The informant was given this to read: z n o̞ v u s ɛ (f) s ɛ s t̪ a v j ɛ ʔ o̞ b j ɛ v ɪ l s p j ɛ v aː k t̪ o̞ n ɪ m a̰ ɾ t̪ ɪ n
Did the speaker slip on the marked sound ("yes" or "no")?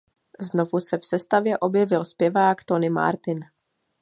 no